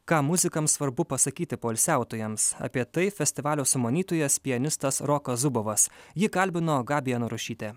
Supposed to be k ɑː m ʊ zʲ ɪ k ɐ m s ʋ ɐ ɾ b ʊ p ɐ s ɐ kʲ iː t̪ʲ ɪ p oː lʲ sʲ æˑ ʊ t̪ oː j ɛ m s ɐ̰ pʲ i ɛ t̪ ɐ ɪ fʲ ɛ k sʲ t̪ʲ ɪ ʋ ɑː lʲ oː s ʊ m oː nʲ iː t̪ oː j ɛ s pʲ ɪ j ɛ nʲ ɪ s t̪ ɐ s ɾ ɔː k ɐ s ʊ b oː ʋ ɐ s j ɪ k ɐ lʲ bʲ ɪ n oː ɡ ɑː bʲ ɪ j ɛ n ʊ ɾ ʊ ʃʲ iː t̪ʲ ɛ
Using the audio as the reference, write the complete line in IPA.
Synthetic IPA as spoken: k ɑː m ʊ zʲ ɪ k ɐ m s ʋ ɐ ɾ b ʊ p ɐ s ɐ kʲ iː t̪ʲ ɪ p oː lʲ sʲ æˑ ʊ t̪ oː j ɛ m s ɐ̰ pʲ i ɛ t̪ ɐ ɪ fʲ ɛ sʲ t̪ʲ ɪ ʋ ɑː lʲ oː s ʊ m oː nʲ iː t̪ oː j ɛ s pʲ ɪ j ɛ nʲ ɪ s t̪ ɐ s ɾ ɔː k ɐ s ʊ b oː ʋ ɐ s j ɪ k ɐ lʲ bʲ ɪ n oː ɡ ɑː bʲ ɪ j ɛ n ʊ ɾ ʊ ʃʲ iː t̪ʲ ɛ